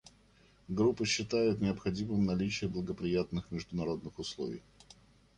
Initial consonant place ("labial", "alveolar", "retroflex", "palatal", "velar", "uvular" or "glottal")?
velar